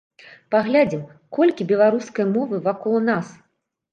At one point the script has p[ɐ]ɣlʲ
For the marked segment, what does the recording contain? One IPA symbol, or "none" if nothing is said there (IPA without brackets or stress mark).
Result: a